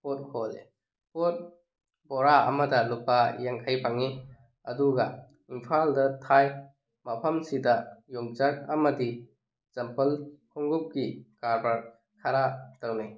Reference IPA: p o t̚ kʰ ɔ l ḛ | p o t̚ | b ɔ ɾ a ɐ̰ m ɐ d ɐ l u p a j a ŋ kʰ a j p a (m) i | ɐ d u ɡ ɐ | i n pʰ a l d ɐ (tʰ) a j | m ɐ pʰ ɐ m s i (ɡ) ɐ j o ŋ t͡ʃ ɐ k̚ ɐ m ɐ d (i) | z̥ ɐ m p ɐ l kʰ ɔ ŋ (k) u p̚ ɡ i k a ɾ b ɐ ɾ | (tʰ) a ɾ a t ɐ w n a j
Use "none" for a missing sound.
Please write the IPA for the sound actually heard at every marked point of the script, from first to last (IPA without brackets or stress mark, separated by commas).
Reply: ŋ, tʰ, d, i, ɡ, kʰ